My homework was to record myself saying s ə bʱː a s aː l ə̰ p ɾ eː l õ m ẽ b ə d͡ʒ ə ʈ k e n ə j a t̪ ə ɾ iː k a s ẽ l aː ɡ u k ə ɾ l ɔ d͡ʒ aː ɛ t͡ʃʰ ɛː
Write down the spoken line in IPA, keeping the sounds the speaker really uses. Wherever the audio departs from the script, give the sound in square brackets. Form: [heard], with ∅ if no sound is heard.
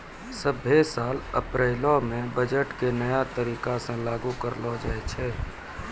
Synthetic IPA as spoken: s ə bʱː [e] s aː l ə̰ p ɾ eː l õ m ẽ b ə d͡ʒ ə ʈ k e n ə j a t̪ ə ɾ iː k a s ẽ l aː ɡ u k ə ɾ l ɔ d͡ʒ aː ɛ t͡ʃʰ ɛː